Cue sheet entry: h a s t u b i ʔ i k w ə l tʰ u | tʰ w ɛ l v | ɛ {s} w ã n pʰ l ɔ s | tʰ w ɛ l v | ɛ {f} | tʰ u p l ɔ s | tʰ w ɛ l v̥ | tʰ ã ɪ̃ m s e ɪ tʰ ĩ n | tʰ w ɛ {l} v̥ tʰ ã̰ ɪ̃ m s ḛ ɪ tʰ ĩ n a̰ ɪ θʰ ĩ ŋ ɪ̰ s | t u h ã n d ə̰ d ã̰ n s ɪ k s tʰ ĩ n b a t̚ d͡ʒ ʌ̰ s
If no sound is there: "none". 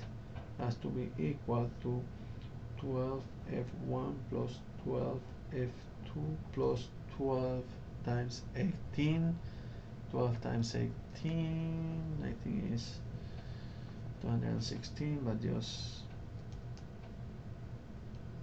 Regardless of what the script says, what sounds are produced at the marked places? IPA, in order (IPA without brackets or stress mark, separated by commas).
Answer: f, f, l